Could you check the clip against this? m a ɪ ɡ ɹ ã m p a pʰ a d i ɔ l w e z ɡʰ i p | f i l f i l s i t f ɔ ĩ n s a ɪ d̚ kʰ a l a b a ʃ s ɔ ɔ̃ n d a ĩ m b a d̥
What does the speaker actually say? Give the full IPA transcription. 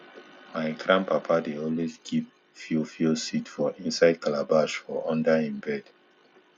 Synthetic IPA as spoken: m a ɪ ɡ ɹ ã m p a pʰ a d e ɔ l w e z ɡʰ i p | f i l f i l s i t f ɔ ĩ n s a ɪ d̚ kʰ a l a b a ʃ f ɔ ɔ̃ n d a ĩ m b ɛ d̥

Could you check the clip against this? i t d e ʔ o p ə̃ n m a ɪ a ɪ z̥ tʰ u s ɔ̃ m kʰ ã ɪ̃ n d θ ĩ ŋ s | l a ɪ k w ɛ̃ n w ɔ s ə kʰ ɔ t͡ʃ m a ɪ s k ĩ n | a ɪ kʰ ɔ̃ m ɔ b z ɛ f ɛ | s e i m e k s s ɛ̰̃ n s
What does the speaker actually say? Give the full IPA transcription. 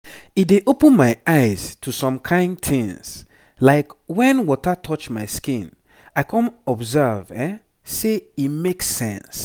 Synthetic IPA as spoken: i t d e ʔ o p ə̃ n m a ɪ a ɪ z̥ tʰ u s ɔ̃ m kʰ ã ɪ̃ n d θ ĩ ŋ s | l a ɪ k w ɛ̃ n w ɔ t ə tʰ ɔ t͡ʃ m a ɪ s k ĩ n | a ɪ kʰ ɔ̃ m ɔ b z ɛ v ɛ | s e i m e k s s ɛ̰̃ n s

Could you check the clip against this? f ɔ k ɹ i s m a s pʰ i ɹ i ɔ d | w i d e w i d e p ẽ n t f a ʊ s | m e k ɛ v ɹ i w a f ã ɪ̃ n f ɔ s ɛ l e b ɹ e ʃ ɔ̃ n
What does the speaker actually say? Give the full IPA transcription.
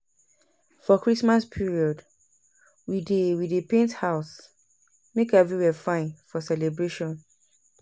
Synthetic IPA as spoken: f ɔ k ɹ i s m a s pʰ i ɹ i ɔ d | w i d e w i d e p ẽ n t h a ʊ s | m e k ɛ v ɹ i w ɛ f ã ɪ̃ n f ɔ s ɛ l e b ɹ e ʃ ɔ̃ n

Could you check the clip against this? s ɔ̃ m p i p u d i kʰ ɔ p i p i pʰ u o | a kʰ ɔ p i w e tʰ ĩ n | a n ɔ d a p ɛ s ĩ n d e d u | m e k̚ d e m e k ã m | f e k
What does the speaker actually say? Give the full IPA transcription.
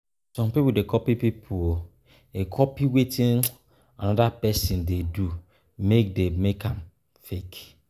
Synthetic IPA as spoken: s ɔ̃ m p i p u d e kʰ ɔ p i p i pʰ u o | e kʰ ɔ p i w e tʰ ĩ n | a n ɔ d a p ɛ s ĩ n d e d u | m e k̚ d e m e k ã m | f e k

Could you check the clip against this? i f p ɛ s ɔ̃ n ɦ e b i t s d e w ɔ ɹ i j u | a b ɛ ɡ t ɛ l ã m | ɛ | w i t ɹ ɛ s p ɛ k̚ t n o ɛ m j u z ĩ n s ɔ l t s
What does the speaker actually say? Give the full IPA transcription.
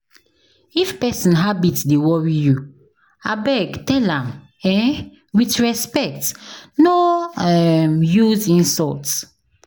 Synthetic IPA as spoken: i f p ɛ s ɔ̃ n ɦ a b i t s d e w ɔ ɹ i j u | a b ɛ ɡ t ɛ l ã m | ɛ | w i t ɹ ɛ s p ɛ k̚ t n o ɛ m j u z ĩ n s ɔ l t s

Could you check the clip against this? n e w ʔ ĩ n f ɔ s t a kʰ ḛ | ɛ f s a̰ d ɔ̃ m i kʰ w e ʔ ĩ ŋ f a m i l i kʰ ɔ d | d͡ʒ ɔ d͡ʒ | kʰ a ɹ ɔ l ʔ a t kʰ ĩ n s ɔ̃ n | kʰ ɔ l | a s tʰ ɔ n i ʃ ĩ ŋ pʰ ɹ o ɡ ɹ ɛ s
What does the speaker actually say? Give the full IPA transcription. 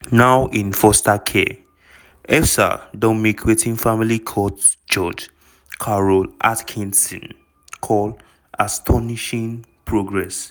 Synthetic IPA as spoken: n a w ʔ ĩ n f ɔ s t a kʰ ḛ | ɛ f s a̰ d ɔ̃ m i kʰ w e t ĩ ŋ f a m i l i kʰ ɔ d | d͡ʒ ɔ d͡ʒ | kʰ a ɹ ɔ l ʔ a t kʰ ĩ n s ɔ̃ n | kʰ ɔ l | a s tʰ ɔ n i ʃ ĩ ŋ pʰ ɹ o ɡ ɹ ɛ s

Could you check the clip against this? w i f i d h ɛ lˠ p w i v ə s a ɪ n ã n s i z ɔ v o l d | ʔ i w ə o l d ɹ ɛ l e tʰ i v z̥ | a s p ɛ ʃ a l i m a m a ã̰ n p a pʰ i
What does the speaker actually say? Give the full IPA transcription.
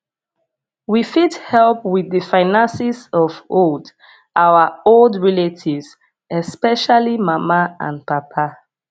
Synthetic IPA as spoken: w i f i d h ɛ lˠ p w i ð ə f a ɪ n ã n s i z ɔ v o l d | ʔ a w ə o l d ɹ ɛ l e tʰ i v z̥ | ɛ s p ɛ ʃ a l i m a m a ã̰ n p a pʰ a

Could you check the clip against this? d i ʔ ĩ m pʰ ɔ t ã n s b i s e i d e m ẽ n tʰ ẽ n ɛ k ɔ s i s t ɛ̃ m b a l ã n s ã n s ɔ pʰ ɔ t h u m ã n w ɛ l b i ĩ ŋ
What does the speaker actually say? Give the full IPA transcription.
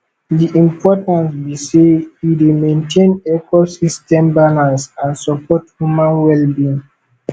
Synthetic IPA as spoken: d i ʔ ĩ m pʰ ɔ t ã n s b i s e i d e m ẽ n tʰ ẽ n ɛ k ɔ s i s t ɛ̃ m b a l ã n s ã n s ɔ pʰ ɔ t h u m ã n w ɛ l b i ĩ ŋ

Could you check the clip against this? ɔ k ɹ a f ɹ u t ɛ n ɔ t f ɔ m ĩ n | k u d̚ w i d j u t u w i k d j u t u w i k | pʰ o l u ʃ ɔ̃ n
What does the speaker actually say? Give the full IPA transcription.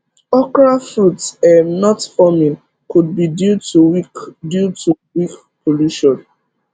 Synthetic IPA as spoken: ɔ k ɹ a f ɹ u t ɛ n ɔ t f ɔ m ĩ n | k u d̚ b i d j u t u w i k d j u t u w i k | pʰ o l u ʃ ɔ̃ n

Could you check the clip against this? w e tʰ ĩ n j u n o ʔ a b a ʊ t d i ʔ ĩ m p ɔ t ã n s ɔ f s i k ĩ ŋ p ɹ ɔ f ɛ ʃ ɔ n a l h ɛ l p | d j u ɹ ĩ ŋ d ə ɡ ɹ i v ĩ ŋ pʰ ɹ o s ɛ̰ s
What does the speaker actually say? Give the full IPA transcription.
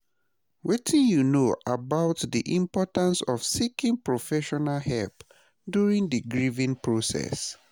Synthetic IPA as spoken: w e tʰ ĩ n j u n o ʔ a b a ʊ t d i ʔ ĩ m p ɔ t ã n s ɔ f s i k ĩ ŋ p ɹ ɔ f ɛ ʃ ɔ n a l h ɛ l p | d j u ɹ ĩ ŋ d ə ɡ ɹ i v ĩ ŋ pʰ ɹ o s ɛ̰ s

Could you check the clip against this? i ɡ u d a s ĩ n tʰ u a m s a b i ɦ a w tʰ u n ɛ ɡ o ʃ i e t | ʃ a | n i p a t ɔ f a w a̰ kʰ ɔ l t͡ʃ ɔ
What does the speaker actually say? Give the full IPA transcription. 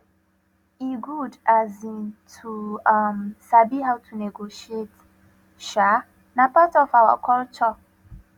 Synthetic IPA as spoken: i ɡ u d a z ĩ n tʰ u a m s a b i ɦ a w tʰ u n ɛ ɡ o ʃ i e t | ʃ a | n a p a t ɔ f a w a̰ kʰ ɔ l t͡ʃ ɔ

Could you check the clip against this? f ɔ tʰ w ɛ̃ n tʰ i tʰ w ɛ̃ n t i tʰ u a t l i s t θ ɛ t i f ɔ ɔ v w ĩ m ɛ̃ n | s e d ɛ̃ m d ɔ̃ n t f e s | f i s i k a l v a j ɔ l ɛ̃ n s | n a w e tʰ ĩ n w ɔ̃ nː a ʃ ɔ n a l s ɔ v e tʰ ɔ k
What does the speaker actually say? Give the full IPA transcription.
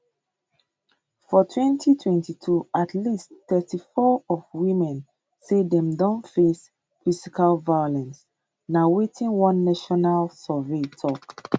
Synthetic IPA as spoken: f ɔ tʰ w ɛ̃ n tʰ i tʰ w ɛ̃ n t i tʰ u a t l i s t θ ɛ t i f ɔ ɔ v w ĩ m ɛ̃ n | s e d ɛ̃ m d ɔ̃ n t f e s | f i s i k a l v a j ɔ l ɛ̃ n s | n a w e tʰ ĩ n w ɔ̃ nː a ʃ ɔ n a l s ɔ v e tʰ ɔ k

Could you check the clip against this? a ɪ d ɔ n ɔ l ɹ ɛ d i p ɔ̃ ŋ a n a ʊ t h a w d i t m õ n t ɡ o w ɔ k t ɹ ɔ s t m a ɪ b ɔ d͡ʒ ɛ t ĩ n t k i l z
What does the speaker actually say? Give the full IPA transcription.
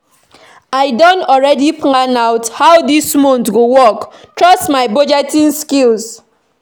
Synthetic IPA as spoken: a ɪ d ɔ n ɔ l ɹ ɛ d i p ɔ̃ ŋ a n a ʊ t h a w d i s m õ n t ɡ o w ɔ k t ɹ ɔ s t m a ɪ b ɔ d͡ʒ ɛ t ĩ n s k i l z

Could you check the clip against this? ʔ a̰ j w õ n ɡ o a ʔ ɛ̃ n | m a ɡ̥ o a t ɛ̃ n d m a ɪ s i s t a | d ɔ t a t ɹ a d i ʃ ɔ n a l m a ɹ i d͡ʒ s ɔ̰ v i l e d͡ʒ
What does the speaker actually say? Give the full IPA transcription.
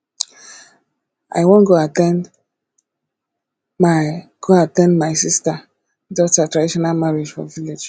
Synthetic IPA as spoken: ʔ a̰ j w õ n ɡ o a t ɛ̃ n | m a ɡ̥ o a t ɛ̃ n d m a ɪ s i s t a | d ɔ t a t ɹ a d i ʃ ɔ n a l m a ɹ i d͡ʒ f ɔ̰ v i l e d͡ʒ

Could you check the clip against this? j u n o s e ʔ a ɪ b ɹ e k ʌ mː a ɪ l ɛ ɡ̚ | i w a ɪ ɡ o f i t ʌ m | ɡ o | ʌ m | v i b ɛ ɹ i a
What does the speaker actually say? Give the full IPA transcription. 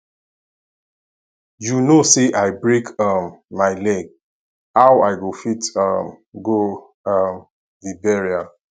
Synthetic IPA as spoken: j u n o s e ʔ a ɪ b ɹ e k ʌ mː a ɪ l ɛ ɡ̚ | a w a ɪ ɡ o f i t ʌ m | ɡ o | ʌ m | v i b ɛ ɹ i a

